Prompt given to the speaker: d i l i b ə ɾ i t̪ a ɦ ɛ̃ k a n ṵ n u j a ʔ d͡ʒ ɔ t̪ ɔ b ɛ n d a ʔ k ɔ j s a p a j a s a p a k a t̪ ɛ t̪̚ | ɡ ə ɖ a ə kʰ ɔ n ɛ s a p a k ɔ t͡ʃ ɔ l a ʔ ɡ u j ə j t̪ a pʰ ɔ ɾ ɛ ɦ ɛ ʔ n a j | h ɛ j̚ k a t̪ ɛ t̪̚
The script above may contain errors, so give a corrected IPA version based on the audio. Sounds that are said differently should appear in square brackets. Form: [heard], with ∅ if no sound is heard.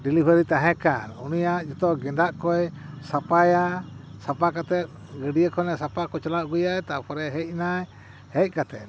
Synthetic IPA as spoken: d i l i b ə ɾ i t̪ a ɦ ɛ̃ k a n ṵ n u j a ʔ d͡ʒ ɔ t̪ ɔ [ɡ] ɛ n d a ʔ k ɔ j s a p a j a s a p a k a t̪ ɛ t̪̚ | ɡ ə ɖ [i] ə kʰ ɔ n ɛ s a p a k ɔ t͡ʃ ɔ l a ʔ ɡ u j [a] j t̪ a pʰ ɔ ɾ ɛ ɦ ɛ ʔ n a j | h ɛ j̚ k a t̪ ɛ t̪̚